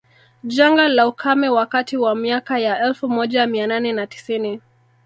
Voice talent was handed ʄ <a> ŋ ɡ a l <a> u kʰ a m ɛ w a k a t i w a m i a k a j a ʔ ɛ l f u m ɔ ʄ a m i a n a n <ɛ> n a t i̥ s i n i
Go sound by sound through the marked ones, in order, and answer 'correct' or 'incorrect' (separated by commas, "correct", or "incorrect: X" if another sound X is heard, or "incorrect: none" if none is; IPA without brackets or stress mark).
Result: correct, correct, correct